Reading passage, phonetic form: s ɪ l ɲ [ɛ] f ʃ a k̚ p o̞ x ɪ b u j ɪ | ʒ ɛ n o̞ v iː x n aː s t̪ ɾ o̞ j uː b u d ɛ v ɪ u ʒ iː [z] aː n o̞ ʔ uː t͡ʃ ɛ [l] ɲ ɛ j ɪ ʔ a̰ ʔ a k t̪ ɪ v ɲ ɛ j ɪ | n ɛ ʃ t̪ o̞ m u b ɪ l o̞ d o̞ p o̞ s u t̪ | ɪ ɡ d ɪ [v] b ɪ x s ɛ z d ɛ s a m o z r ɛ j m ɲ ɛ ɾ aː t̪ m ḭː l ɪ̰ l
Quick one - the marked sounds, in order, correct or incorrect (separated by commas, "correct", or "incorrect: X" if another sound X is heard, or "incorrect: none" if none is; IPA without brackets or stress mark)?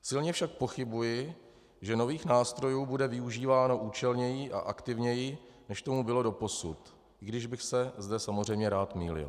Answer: correct, incorrect: v, correct, incorrect: ʒ